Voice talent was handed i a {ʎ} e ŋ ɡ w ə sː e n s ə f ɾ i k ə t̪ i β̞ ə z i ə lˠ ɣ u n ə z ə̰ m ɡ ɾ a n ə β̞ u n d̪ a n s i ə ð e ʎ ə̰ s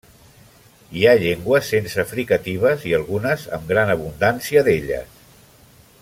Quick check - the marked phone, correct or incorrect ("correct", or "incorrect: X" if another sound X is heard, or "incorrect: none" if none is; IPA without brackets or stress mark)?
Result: correct